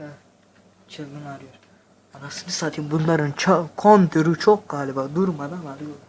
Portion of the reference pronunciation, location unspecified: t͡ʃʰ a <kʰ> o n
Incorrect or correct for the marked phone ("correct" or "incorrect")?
correct